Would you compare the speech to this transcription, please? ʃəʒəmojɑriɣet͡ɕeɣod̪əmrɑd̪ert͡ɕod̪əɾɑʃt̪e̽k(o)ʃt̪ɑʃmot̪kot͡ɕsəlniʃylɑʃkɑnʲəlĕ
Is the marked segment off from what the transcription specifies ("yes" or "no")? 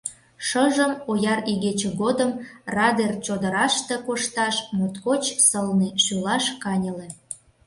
no